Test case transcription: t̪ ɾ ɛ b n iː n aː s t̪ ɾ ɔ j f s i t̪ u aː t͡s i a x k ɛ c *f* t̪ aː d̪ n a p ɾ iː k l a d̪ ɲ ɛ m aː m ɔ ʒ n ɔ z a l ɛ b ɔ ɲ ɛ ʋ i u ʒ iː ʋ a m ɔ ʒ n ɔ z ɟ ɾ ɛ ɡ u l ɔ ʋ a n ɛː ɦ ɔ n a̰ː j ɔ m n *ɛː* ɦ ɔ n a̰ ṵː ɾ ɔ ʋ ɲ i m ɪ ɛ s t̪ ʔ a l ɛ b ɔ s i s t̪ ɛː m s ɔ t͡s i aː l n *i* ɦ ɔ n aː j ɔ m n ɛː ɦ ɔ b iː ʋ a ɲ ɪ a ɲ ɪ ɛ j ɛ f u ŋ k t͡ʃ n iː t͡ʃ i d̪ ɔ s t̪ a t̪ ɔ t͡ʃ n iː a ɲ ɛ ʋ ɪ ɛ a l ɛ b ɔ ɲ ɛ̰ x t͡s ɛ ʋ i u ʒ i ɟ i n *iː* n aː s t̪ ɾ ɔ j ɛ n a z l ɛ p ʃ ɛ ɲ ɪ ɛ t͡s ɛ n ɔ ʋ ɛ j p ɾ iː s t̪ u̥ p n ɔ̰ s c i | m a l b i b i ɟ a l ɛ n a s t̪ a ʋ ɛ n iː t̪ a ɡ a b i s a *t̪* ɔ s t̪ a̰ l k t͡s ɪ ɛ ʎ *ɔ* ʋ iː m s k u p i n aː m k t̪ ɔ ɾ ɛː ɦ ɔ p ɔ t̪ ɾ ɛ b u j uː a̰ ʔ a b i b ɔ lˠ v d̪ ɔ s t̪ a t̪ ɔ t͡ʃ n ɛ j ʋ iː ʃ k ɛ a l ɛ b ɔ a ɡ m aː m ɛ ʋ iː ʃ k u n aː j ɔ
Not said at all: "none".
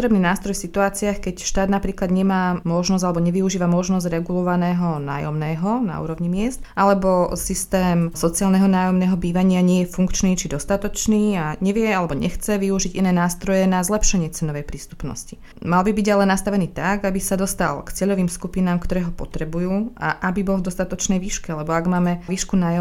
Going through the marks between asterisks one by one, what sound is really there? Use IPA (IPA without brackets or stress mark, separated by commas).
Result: ʃ, ɛː, ɛ, ɛː, d̪, ɔ